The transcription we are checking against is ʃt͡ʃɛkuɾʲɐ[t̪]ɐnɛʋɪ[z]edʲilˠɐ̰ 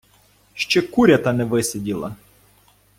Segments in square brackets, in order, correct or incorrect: correct, incorrect: s

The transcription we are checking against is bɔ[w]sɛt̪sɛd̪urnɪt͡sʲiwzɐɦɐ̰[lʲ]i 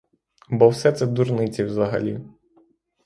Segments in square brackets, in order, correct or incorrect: correct, correct

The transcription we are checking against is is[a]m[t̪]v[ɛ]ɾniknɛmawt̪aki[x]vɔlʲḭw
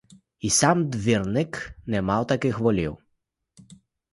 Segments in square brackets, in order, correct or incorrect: correct, incorrect: d̪, incorrect: i, correct

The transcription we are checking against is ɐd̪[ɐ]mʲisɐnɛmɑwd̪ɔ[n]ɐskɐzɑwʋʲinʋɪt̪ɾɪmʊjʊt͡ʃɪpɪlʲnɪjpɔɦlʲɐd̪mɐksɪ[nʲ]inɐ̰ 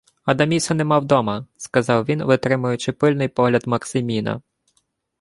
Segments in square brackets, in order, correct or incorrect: correct, incorrect: m, incorrect: mʲ

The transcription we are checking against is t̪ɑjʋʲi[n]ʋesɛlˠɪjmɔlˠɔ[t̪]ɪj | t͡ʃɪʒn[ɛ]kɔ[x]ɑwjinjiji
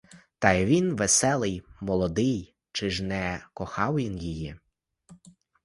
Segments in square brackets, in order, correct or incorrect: correct, incorrect: d̪, correct, correct

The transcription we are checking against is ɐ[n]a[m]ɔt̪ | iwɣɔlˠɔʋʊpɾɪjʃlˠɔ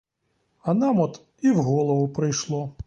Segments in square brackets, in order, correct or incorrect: correct, correct

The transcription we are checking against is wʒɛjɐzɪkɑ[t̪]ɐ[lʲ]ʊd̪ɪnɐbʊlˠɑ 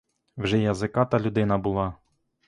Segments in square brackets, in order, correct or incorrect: correct, correct

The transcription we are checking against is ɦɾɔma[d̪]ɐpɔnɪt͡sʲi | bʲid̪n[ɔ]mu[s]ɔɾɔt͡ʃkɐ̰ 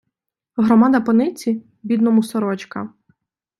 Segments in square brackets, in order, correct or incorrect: correct, correct, correct

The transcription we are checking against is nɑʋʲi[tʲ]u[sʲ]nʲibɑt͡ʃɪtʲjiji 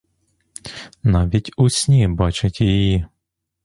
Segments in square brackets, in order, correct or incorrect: correct, correct

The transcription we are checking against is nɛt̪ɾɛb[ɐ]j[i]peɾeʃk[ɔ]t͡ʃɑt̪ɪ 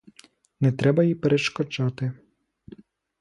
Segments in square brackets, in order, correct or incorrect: correct, correct, correct

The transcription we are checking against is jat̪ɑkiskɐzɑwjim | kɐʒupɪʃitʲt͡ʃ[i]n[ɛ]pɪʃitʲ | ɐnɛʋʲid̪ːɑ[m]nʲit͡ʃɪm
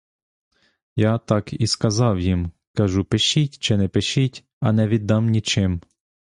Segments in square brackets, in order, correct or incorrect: incorrect: ɪ, correct, correct

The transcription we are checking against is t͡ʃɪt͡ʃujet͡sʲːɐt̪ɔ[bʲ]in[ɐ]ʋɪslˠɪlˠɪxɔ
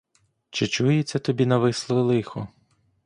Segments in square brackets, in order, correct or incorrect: correct, correct

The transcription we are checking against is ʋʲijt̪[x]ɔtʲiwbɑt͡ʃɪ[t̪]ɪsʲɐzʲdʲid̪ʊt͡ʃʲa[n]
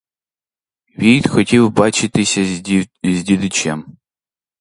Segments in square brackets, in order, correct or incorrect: correct, correct, incorrect: m

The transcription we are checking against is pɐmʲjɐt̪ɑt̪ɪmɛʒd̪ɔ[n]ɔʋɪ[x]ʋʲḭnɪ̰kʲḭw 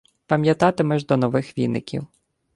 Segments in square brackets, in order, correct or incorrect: correct, correct

